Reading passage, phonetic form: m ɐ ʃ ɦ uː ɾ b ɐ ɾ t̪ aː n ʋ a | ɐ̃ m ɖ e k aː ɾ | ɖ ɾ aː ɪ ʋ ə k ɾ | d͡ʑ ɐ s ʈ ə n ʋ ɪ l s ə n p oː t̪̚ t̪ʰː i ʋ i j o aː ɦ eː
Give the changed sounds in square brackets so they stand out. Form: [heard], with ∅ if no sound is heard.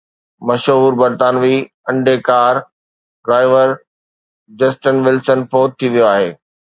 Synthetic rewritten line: m ɐ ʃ ɦ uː ɾ b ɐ ɾ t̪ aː n ʋ [i] | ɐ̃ [ɳ] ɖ e k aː ɾ | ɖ ɾ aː ɪ ʋ ə [∅] ɾ | d͡ʑ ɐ s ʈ ə n ʋ ɪ l s ə n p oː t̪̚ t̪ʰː i ʋ i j o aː ɦ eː